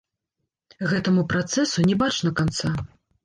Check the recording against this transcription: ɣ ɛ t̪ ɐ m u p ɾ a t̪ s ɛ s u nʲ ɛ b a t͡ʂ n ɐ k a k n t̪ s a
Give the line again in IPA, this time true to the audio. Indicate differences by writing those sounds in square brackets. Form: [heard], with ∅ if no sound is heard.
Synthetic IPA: ɣ ɛ t̪ ɐ m u p ɾ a t̪ s ɛ s u nʲ ɛ b a t͡ʂ n ɐ k a [∅] n t̪ s a